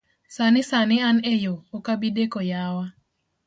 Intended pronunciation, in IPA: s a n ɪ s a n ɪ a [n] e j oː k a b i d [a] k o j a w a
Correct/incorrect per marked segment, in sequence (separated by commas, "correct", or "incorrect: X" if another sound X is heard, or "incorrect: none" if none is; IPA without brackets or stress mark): correct, incorrect: e